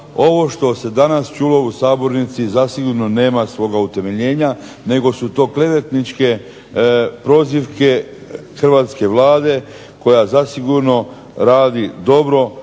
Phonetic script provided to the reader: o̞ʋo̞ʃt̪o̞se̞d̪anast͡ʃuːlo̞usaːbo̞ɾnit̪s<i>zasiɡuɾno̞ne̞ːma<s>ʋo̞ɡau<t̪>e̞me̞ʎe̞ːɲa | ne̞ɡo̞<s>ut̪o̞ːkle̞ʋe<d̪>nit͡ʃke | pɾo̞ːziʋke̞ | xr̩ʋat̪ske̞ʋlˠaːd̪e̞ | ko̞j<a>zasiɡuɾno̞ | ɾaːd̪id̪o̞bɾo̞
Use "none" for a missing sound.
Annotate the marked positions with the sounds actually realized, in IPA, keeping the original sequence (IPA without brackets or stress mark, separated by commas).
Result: i, s, t̪, s, t̪, a